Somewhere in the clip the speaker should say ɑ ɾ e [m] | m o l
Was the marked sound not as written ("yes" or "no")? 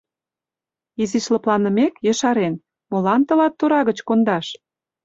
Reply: yes